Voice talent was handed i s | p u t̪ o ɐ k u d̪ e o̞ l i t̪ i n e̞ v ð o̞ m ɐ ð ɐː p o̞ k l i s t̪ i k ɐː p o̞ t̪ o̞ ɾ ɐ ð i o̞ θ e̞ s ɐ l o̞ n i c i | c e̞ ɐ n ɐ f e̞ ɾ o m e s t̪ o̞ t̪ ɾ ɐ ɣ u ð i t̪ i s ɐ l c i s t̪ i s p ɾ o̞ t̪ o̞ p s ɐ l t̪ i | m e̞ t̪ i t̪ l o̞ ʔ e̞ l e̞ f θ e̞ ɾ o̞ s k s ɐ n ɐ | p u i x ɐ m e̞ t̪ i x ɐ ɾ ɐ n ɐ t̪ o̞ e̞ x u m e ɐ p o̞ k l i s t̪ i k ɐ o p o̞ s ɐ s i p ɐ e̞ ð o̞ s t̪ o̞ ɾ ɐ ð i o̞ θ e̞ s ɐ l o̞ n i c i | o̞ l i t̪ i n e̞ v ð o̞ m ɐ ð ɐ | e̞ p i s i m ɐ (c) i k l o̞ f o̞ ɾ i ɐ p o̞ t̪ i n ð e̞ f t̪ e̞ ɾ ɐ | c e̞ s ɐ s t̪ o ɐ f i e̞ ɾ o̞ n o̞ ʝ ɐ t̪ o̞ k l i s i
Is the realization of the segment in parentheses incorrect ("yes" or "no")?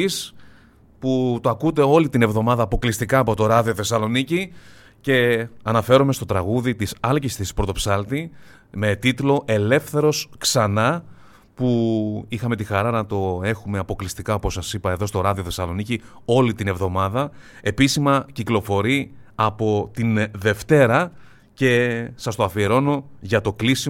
no